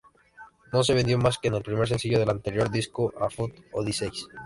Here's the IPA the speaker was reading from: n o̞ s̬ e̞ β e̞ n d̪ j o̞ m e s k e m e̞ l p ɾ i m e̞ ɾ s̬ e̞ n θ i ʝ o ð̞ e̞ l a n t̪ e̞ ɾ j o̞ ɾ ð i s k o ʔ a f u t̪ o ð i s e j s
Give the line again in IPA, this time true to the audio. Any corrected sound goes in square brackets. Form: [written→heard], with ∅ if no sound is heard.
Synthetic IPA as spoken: n o̞ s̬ e̞ β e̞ n d̪ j o̞ m [e→a] s k e [m→n] e̞ l p ɾ i m e̞ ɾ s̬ e̞ n [θ→s] i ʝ o ð̞ e̞ l a n t̪ e̞ ɾ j o̞ ɾ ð i s k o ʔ a f u t̪ o ð i s e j s

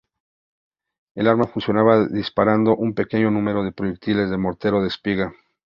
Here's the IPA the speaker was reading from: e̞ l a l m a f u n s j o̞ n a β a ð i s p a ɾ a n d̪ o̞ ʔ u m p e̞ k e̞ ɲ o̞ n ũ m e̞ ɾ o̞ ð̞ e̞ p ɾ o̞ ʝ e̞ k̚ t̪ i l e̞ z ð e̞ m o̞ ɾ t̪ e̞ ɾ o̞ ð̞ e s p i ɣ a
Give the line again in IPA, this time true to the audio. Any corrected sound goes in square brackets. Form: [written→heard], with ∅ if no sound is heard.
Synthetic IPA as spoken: e̞ l a [l→ɾ] m a f u n s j o̞ n a β a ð i s p a ɾ a n d̪ o̞ ʔ u m p e̞ k e̞ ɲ o̞ n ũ m e̞ ɾ o̞ ð̞ e̞ p ɾ o̞ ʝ e̞ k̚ t̪ i l e̞ z ð e̞ m o̞ ɾ t̪ e̞ ɾ o̞ ð̞ e s p i ɣ a

